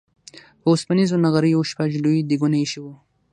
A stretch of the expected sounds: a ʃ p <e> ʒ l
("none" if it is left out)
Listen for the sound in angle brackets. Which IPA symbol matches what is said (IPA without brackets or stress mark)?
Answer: a